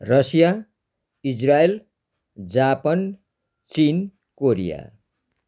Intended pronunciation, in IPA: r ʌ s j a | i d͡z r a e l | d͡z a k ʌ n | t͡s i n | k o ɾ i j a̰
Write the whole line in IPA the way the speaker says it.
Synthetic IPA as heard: r ʌ s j a | i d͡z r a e l | d͡z a p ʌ n | t͡s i n | k o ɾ i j a̰